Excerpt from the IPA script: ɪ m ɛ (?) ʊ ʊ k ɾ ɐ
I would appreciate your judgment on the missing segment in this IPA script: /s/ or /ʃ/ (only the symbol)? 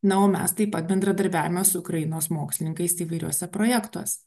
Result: s